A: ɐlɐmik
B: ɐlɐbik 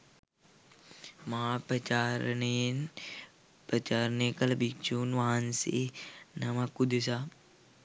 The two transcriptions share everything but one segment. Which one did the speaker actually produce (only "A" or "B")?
B